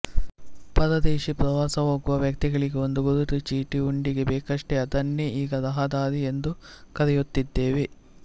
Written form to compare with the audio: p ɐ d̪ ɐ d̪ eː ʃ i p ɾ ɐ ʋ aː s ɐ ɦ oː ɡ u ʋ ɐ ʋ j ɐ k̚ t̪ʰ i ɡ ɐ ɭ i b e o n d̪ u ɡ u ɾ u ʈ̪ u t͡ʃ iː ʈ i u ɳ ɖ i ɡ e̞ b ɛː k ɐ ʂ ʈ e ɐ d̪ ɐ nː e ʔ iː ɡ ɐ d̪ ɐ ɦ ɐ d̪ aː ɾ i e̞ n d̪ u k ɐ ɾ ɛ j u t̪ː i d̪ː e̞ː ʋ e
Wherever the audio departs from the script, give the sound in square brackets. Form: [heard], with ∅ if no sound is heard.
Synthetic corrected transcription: p ɐ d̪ ɐ d̪ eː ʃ i p ɾ ɐ ʋ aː s ɐ ɦ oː ɡ u ʋ ɐ ʋ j ɐ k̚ [t̪] i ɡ ɐ ɭ i [ɡ] e o n d̪ u ɡ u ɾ u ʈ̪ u t͡ʃ iː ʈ i u ɳ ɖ i ɡ e̞ b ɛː k ɐ ʂ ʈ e ɐ d̪ ɐ nː e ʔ iː ɡ ɐ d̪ ɐ ɦ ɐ d̪ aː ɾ i e̞ n d̪ u k ɐ ɾ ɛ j u t̪ː i d̪ː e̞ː ʋ e

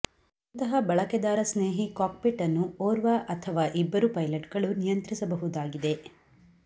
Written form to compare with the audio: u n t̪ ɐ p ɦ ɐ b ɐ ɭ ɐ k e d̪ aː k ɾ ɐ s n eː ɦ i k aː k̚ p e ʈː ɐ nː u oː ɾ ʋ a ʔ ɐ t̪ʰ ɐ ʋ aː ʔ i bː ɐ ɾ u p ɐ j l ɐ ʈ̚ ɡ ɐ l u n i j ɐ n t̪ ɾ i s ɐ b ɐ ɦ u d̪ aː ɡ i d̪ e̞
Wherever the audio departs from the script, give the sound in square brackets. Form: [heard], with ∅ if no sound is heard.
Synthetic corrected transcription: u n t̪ ɐ [∅] ɦ ɐ b ɐ ɭ ɐ k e d̪ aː [∅] ɾ ɐ s n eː ɦ i k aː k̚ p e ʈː ɐ nː u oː ɾ ʋ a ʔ ɐ t̪ʰ ɐ ʋ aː ʔ i bː ɐ ɾ u p ɐ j l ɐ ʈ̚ ɡ ɐ [ɭ] u n i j ɐ n t̪ ɾ i s ɐ b ɐ ɦ u d̪ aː ɡ i d̪ e̞

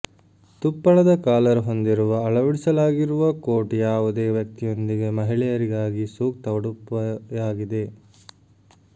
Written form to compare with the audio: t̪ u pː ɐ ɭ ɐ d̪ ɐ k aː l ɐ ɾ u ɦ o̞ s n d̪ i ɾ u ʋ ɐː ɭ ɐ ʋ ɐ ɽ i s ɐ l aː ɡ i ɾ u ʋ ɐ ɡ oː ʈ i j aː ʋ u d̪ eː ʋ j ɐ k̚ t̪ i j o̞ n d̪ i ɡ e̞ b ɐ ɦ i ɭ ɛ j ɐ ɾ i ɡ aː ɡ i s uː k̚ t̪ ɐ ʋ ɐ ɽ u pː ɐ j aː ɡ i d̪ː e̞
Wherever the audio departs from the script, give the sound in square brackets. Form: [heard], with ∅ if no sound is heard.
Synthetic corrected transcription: t̪ u pː ɐ ɭ ɐ d̪ ɐ k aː l ɐ ɾ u ɦ o̞ [∅] n d̪ i ɾ u ʋ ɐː ɭ ɐ ʋ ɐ ɽ i s ɐ l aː ɡ i ɾ u ʋ ɐ [k] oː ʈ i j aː ʋ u d̪ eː ʋ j ɐ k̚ t̪ i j o̞ n d̪ i ɡ e̞ [m] ɐ ɦ i ɭ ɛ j ɐ ɾ i ɡ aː ɡ i s uː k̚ t̪ ɐ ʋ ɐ ɽ u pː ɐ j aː ɡ i [d̪] e̞

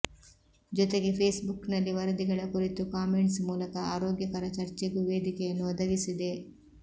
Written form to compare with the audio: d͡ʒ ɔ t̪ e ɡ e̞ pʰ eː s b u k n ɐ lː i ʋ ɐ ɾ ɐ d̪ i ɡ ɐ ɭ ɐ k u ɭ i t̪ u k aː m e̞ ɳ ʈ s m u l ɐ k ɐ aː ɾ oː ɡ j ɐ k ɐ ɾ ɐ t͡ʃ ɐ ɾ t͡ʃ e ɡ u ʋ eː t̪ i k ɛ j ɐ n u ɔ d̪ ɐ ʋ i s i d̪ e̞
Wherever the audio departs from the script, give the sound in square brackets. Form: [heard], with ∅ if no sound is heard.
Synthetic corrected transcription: d͡ʒ ɔ t̪ e ɡ e̞ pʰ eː s b u k n ɐ lː i ʋ ɐ ɾ ɐ d̪ i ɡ ɐ ɭ ɐ k u [ɾ] i t̪ u k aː m e̞ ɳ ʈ s m [uː] l ɐ k ɐ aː ɾ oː ɡ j ɐ k ɐ ɾ ɐ t͡ʃ ɐ ɾ t͡ʃ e ɡ u ʋ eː [d̪] i k ɛ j ɐ [nː] u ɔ d̪ ɐ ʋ i s i d̪ e̞

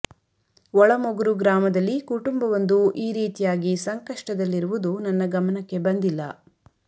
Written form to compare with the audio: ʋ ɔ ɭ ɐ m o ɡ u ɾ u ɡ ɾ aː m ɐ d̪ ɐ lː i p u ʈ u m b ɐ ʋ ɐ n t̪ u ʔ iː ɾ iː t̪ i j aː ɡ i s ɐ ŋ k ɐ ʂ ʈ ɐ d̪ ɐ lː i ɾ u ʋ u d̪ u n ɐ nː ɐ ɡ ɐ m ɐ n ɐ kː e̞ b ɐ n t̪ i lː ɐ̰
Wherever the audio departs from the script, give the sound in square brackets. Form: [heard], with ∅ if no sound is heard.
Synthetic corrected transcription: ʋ ɔ ɭ ɐ m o ɡ u ɾ u ɡ ɾ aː m ɐ d̪ ɐ lː i [k] u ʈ u m b ɐ ʋ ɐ n [d̪] u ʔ iː ɾ iː t̪ i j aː ɡ i s ɐ ŋ k ɐ ʂ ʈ ɐ d̪ ɐ lː i ɾ u ʋ u d̪ u n ɐ nː ɐ ɡ ɐ m ɐ n ɐ kː e̞ b ɐ n [d̪] i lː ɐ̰

